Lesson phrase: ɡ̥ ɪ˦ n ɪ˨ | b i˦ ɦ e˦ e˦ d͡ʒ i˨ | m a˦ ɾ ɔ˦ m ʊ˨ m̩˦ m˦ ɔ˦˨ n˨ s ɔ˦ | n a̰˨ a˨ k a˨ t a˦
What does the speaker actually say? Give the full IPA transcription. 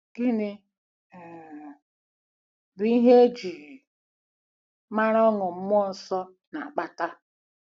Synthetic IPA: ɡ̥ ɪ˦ n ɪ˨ | b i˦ ɦ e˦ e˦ d͡ʒ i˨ | m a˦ ɾ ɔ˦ ŋ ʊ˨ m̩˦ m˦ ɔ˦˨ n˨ s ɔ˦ | n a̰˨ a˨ k͡p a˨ t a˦